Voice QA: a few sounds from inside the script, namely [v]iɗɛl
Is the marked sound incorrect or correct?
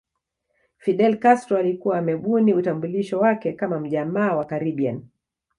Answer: incorrect